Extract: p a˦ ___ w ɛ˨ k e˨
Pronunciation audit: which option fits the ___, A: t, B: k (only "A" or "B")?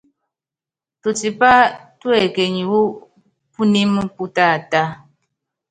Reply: A